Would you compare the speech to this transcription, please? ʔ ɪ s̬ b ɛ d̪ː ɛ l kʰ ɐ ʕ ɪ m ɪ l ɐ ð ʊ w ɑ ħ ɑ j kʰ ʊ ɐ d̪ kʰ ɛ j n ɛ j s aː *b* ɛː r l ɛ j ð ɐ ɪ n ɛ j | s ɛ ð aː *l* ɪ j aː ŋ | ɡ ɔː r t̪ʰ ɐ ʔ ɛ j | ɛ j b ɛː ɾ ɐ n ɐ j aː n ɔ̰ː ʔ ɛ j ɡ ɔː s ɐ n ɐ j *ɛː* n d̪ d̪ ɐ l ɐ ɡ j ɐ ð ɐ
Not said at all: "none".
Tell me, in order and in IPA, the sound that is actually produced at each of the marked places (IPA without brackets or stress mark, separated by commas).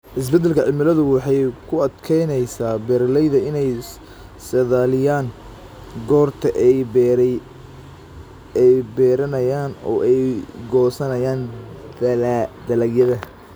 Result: b, l, aː